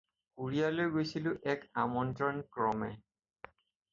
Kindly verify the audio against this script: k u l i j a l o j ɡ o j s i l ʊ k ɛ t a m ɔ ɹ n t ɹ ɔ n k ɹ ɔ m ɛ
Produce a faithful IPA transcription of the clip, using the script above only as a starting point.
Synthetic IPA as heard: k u ɹ i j a l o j ɡ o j s i l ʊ ʔ ɛ k a m ɔ n t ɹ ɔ n k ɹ ɔ m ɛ

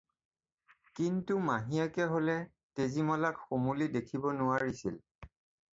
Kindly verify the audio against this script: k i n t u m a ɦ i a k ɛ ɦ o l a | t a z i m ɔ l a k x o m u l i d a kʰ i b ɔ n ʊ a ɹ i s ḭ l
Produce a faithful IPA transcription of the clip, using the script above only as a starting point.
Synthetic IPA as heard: k i n t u m a ɦ i a k ɛ ɦ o l ɛ | t e z i m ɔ l a k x o m u l i d e kʰ i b ɔ n ʊ a ɹ i s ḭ l

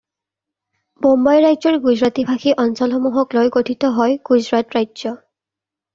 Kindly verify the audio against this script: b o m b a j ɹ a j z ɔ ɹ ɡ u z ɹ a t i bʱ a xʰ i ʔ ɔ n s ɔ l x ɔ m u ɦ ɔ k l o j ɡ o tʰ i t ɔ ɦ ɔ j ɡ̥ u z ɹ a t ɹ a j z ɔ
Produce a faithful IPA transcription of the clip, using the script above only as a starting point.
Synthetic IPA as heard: b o m b a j ɹ a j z ɔ ɹ ɡ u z ɹ a t i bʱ a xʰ i ʔ ɔ n s ɔ l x ɔ m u ɦ ɔ k l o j ɡ o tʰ i t ɔ ɦ ɔ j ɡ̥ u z ɹ a t ɹ a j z ɔ

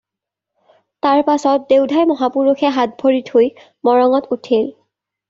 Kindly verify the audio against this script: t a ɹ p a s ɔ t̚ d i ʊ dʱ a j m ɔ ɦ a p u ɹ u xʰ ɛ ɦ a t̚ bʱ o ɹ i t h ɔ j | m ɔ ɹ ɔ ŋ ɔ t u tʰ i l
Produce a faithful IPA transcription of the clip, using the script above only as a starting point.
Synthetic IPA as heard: t a ɹ p a s ɔ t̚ d e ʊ dʱ a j m ɔ ɦ a p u ɹ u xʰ ɛ ɦ a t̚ bʱ o ɹ i t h o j | m ɔ ɹ ɔ ŋ ɔ t u tʰ i l

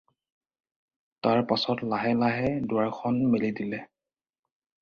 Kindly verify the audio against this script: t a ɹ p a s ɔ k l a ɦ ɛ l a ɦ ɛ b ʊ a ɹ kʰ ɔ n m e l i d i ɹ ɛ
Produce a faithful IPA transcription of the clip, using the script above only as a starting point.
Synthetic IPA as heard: t a ɹ p a s ɔ t l a ɦ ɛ l a ɦ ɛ d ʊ a ɹ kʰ ɔ n m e l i d i l ɛ

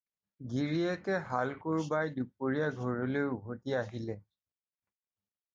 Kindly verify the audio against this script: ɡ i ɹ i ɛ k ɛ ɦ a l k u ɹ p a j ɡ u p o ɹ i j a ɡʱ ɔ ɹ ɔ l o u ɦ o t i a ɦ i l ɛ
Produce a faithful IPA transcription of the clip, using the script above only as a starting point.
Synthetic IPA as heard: ɡ i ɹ i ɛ k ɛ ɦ a l k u ɹ b a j d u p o ɹ i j a ɡʱ ɔ ɹ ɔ l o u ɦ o t i a ɦ i l ɛ

